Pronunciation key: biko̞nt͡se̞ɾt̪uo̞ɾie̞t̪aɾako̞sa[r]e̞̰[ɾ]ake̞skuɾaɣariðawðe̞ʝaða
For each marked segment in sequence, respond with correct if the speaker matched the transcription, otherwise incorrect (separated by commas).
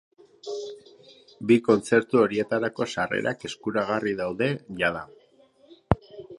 correct, correct